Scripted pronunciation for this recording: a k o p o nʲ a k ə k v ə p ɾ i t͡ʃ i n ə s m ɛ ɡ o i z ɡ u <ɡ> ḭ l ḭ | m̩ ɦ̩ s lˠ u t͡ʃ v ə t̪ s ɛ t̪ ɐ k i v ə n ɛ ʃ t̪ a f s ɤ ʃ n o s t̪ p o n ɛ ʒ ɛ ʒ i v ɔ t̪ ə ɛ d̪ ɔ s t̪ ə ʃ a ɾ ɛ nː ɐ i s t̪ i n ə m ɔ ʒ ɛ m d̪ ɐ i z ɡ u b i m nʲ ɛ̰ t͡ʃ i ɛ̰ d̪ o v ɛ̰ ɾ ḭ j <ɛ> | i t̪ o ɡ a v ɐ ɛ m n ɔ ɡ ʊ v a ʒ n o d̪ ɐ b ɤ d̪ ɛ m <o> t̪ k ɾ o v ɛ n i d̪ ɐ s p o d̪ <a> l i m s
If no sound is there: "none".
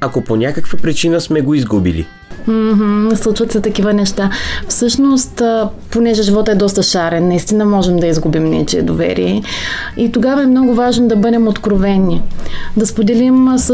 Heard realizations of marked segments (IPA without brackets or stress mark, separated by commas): b, ɛ, o, ɛ